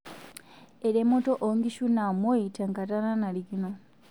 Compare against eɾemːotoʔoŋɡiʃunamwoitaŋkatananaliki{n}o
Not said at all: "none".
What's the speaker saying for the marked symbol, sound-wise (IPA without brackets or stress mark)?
n